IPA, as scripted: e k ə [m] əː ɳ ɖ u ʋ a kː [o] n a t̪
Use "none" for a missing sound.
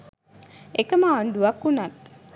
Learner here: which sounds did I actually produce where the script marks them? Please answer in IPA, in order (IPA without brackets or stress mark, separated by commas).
m, u